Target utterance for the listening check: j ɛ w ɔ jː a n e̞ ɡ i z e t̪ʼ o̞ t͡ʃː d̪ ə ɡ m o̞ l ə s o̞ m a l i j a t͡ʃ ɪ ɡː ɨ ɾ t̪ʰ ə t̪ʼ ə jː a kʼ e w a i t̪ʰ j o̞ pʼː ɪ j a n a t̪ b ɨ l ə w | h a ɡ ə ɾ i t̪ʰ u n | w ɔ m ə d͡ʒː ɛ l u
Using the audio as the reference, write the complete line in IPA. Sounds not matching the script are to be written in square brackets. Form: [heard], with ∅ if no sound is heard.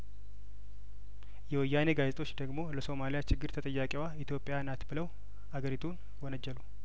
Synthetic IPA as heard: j ɛ w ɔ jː a n e̞ ɡ [a] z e t̪ʼ o̞ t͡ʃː d̪ ə ɡ m o̞ l ə s o̞ m a l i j a t͡ʃ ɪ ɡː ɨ ɾ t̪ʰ ə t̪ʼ ə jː a kʼ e w a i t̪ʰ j o̞ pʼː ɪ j a n a t̪ b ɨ l ə w | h a ɡ ə ɾ i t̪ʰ u n | w ɔ [n] ə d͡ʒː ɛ l u